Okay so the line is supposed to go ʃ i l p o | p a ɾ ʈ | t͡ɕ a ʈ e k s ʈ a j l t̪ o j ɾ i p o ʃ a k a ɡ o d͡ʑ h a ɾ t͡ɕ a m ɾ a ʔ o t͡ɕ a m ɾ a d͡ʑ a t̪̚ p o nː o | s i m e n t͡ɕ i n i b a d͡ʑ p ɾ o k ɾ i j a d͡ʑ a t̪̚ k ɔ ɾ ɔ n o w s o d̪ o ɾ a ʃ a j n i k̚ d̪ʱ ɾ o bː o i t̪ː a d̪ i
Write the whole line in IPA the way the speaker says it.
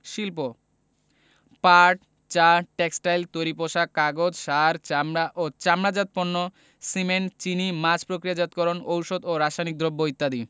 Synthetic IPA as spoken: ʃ i l p o | p a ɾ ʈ | t͡ɕ a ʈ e k s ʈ a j l t̪ o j ɾ i p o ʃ a k a ɡ o d͡ʑ ʃ a ɾ t͡ɕ a m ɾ a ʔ o t͡ɕ a m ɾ a d͡ʑ a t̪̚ p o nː o | s i m e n t͡ɕ i n i m a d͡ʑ p ɾ o k ɾ i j a d͡ʑ a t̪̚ k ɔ ɾ o n o w ʃ o d̪ o ɾ a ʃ a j n i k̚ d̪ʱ ɾ o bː o i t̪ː a d̪ i